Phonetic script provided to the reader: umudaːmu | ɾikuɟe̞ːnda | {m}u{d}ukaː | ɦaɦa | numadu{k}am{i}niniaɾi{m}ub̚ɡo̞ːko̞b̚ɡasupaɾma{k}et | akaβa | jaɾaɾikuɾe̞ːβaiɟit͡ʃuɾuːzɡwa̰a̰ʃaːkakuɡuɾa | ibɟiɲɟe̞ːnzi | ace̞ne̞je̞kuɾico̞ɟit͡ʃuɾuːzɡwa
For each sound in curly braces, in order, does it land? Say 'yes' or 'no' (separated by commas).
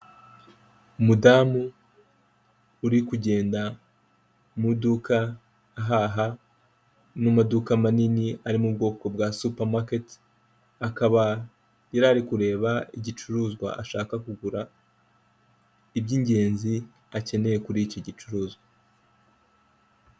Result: yes, yes, yes, no, yes, yes